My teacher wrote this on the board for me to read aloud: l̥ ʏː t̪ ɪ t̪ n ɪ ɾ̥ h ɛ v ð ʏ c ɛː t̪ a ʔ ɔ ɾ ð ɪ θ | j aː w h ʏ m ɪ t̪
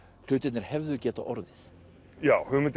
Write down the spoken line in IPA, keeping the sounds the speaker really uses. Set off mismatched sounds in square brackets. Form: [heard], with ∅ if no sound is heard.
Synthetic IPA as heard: l̥ ʏː t̪ ɪ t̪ n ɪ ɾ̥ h ɛ v ð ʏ c ɛː t̪ a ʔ ɔ ɾ ð ɪ θ | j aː w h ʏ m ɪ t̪